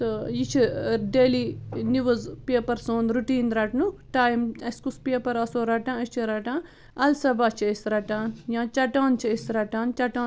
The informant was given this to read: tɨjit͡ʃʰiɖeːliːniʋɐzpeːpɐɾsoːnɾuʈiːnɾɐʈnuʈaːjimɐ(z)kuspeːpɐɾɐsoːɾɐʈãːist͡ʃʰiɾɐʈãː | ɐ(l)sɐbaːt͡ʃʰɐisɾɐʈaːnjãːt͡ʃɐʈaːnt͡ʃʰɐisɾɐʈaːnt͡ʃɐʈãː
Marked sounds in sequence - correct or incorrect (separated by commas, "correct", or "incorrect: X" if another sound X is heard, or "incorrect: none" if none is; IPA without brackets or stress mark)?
incorrect: s, correct